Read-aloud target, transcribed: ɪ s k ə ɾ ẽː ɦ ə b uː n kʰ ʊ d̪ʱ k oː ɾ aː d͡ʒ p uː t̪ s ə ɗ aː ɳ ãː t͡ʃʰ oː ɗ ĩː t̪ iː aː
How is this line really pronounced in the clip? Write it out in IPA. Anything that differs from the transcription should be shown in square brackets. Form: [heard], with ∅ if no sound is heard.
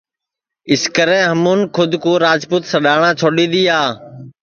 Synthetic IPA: ɪ s k ə ɾ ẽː ɦ ə [m] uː n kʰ ʊ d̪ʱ k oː ɾ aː d͡ʒ p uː t̪ s ə ɗ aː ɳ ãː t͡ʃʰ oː ɗ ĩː [d̪] iː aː

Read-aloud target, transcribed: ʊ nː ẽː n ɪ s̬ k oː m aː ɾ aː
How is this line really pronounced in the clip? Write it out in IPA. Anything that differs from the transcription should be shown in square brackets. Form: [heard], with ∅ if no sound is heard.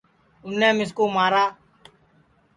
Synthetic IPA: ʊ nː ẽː [m] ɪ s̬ k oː m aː ɾ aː

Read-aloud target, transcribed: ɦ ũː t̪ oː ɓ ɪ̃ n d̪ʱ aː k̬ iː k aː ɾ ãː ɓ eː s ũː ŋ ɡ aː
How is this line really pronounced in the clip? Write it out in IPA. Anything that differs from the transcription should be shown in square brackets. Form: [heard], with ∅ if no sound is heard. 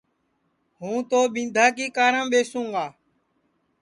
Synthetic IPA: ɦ ũː t̪ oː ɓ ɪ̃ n d̪ʱ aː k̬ iː k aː ɾ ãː ɓ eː s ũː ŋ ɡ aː

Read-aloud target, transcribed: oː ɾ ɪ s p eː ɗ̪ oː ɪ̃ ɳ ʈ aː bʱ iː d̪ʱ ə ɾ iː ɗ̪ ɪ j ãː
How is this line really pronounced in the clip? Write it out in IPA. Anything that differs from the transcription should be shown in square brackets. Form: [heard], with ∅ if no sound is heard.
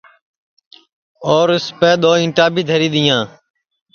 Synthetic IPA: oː ɾ ɪ s p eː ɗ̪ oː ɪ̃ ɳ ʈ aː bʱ iː d̪ʱ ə ɾ iː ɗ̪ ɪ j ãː

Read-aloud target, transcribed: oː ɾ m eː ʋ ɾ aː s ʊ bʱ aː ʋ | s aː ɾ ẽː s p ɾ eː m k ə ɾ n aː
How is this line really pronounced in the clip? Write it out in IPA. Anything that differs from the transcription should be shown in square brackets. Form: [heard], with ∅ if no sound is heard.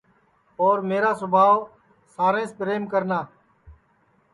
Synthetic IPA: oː ɾ m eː [∅] ɾ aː s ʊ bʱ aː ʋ | s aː ɾ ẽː s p ɾ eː m k ə ɾ n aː

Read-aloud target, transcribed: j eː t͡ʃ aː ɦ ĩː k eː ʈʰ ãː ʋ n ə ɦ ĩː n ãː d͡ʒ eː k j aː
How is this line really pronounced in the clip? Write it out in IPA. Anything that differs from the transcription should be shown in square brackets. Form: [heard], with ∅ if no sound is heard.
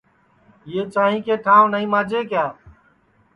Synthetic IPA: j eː t͡ʃ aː ɦ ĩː k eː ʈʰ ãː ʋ n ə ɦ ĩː [m] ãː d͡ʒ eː k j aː

